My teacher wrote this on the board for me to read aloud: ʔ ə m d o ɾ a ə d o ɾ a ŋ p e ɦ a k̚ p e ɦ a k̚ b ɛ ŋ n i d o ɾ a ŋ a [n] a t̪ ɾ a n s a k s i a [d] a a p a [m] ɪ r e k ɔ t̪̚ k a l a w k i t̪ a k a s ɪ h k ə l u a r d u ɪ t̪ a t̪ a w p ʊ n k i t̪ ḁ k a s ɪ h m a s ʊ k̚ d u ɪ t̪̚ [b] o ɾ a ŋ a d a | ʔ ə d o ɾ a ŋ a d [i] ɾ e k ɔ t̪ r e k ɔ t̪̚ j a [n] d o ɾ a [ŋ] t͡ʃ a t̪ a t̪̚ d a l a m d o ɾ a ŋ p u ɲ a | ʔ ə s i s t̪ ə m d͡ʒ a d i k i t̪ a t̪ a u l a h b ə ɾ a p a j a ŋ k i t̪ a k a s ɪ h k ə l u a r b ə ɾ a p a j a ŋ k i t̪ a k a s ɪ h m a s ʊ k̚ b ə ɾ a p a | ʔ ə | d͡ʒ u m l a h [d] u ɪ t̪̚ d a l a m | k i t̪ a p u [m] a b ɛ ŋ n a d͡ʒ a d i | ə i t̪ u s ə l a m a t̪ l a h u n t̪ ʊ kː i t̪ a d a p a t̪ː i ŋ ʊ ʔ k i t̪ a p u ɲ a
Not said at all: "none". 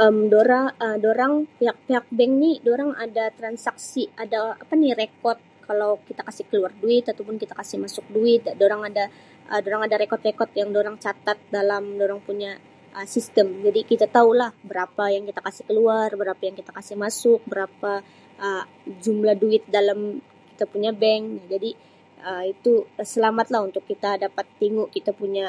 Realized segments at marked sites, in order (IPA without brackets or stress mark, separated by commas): d, d, n, d, a, ŋ, ŋ, d, ɲ